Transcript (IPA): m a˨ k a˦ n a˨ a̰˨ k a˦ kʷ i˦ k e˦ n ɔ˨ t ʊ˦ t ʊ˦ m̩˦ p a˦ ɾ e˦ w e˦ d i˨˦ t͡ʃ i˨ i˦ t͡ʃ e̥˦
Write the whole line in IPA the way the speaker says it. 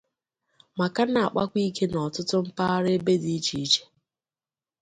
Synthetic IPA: m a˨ k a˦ n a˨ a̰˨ k͡p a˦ kʷ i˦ k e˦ n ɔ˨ t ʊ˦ t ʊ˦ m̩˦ p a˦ ɾ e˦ b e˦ d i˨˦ t͡ʃ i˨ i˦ t͡ʃ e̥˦